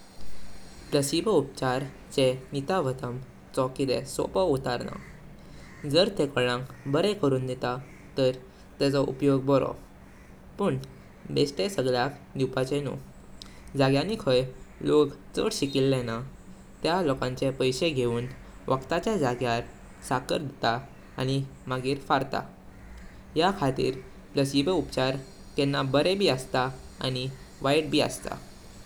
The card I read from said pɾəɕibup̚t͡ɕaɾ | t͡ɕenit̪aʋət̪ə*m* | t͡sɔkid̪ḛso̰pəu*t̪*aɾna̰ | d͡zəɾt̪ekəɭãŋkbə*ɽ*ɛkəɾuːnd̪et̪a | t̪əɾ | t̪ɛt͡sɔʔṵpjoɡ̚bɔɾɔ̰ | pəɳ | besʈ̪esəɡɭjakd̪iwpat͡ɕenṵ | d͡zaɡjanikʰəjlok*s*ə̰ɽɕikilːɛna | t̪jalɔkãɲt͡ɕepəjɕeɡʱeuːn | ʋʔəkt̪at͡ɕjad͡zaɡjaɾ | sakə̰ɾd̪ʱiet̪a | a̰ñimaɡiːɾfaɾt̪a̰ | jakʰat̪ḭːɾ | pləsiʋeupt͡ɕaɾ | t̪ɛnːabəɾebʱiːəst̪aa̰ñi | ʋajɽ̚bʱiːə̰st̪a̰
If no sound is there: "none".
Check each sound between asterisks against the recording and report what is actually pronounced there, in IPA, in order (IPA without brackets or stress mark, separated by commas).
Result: m, t̪, ɾ, t͡s